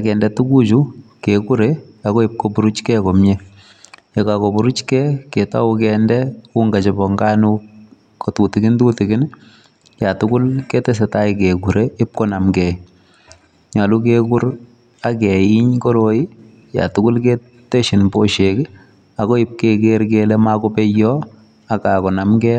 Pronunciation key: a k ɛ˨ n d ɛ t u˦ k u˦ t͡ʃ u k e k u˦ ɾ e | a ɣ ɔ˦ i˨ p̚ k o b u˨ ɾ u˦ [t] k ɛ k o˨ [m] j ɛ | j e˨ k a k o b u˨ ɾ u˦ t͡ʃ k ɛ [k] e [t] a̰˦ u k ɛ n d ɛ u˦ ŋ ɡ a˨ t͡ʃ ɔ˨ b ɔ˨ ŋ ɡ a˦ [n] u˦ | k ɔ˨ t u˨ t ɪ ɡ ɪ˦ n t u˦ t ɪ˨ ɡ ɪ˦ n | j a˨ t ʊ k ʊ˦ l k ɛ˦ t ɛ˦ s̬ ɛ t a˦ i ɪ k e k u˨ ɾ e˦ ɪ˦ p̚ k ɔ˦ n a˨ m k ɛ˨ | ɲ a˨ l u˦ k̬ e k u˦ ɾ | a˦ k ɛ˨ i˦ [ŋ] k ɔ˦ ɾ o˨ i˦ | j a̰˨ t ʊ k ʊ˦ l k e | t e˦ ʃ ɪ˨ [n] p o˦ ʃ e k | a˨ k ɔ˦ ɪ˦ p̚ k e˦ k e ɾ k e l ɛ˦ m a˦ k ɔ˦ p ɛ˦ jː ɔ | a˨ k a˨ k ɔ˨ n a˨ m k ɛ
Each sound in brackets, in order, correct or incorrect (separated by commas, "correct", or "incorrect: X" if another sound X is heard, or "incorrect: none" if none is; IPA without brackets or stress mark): incorrect: t͡ʃ, correct, correct, correct, correct, incorrect: ɲ, correct